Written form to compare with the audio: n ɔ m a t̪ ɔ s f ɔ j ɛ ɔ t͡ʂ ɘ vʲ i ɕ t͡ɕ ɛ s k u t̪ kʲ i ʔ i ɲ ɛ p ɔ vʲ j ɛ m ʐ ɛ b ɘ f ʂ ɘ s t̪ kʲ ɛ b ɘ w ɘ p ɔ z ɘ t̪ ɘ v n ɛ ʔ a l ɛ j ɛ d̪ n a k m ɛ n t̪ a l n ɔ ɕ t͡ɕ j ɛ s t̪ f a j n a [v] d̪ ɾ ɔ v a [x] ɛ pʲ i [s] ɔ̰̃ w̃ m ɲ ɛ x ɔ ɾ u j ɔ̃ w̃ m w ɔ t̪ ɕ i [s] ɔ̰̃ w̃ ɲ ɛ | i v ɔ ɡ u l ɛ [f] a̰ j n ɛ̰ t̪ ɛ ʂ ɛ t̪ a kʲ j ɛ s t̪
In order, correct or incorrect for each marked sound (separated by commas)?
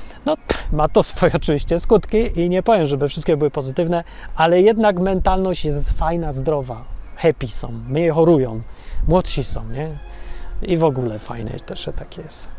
incorrect, correct, correct, correct, correct